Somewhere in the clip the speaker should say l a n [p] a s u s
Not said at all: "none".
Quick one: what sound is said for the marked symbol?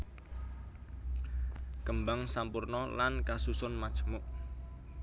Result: k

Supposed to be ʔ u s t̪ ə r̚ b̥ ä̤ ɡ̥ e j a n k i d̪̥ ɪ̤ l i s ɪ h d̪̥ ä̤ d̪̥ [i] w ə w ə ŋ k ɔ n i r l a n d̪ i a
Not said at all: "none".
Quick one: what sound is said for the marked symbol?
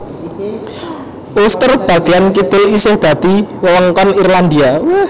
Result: i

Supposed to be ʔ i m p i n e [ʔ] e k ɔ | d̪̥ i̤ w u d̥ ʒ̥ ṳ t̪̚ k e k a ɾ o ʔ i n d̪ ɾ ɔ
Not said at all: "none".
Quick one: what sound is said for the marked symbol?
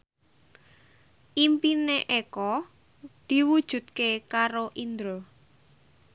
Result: ʔ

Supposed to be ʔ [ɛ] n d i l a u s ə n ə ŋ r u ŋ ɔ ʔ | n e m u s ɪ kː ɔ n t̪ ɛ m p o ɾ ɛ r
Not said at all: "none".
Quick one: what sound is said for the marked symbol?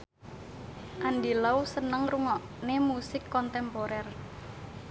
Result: a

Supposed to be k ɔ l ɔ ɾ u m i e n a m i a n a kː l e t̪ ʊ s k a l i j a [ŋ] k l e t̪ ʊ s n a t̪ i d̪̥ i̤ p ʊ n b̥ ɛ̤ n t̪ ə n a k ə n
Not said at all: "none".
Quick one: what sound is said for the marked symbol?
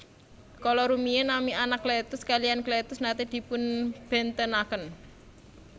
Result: n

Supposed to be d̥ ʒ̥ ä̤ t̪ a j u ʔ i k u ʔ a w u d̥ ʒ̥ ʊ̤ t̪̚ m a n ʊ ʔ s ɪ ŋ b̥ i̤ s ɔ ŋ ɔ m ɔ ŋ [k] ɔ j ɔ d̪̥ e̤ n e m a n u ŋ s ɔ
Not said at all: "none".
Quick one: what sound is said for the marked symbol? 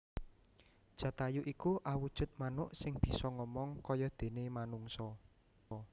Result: k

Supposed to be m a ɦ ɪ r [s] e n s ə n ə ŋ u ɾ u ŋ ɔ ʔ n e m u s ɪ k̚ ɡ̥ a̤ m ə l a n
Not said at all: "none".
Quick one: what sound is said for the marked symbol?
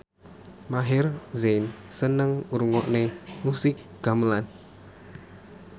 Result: z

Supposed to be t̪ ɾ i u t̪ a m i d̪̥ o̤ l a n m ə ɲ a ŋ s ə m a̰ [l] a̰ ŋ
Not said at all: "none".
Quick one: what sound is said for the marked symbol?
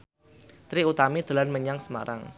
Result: ɾ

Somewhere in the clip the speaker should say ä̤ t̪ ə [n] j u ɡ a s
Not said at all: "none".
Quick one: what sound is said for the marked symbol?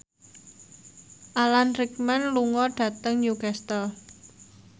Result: ŋ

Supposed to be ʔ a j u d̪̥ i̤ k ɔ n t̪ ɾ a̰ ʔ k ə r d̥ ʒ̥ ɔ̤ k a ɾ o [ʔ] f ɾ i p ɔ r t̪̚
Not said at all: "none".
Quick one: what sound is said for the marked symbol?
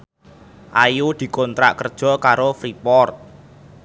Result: none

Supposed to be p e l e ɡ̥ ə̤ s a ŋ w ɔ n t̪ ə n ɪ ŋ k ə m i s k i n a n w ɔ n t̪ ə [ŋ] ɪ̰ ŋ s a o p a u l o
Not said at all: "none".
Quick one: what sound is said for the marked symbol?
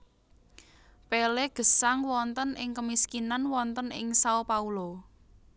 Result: n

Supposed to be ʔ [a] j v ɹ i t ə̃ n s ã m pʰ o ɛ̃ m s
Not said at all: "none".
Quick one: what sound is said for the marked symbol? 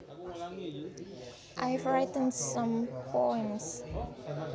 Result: a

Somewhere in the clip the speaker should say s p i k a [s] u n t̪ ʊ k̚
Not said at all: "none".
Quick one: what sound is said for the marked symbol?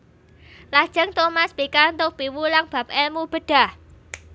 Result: none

